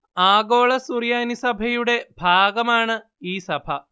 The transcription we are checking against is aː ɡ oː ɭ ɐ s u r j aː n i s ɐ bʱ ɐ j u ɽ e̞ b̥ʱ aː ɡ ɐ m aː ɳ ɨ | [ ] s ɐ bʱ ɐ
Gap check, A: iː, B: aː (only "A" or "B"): A